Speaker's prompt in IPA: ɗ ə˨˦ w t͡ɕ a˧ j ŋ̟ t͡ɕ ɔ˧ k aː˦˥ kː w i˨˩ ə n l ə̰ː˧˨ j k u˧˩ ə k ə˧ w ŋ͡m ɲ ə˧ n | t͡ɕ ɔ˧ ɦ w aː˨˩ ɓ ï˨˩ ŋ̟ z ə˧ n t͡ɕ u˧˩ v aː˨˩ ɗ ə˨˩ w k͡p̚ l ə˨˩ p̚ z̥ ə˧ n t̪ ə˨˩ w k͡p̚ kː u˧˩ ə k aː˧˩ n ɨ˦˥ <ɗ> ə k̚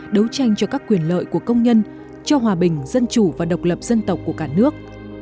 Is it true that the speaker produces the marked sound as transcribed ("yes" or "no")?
no